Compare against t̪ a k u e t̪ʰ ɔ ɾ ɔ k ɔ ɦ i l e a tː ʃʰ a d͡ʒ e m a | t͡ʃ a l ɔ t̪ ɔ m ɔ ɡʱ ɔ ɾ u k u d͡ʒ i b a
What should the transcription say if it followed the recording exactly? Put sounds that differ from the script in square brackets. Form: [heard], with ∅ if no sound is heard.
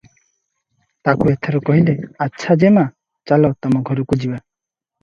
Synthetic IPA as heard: t̪ a k u e t̪ʰ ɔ ɾ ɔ k ɔ ɦ i l e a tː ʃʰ a d͡ʒ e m a | t͡ʃ a l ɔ t̪ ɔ m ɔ ɡʱ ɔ ɾ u k u d͡ʒ i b a